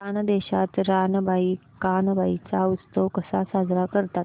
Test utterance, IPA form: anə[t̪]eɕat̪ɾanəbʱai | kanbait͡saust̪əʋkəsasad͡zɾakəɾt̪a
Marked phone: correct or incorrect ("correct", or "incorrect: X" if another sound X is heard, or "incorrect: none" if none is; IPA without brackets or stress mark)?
incorrect: d̪